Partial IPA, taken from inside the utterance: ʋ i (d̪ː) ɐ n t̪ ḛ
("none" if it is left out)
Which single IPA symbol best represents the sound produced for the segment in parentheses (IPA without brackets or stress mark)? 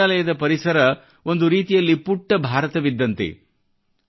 d̪ː